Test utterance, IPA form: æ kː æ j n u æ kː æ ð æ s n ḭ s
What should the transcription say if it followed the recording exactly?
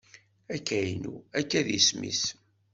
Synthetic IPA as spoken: æ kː æ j n u æ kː æ ð i s m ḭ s